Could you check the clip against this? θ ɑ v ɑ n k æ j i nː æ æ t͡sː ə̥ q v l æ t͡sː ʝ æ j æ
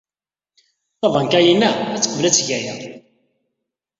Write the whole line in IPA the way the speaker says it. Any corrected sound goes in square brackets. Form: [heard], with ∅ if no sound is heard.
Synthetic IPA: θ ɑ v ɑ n k æ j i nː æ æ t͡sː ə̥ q v l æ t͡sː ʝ æ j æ